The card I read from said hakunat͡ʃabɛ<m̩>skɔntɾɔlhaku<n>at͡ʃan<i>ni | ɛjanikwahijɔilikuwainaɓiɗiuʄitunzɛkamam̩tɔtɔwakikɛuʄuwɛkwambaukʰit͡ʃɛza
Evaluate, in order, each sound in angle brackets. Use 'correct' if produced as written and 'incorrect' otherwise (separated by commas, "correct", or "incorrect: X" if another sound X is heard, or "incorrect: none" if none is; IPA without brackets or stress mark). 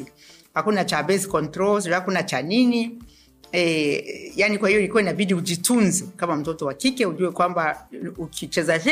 incorrect: none, correct, correct